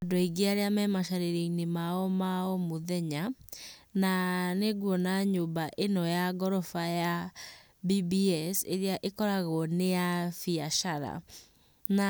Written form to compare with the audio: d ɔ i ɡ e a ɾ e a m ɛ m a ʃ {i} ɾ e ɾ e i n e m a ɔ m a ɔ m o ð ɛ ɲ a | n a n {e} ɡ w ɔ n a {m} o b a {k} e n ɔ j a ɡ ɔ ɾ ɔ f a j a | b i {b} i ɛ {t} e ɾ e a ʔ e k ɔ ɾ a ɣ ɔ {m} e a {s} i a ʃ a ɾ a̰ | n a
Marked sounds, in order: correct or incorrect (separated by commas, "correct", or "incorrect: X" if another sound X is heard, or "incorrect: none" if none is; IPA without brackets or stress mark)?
incorrect: a, correct, incorrect: ɲ, incorrect: ʔ, correct, incorrect: s, incorrect: n, incorrect: f